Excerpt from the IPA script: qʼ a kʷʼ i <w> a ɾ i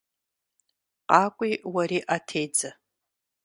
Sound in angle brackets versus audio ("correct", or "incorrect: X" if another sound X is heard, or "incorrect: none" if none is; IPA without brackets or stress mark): correct